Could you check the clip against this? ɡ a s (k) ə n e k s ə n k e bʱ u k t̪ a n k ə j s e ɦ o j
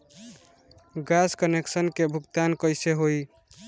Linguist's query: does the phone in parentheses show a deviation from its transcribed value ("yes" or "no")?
no